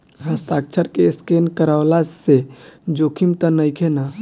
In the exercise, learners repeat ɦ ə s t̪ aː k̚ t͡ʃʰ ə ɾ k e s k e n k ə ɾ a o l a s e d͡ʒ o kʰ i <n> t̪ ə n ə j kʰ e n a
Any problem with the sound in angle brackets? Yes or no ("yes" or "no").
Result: yes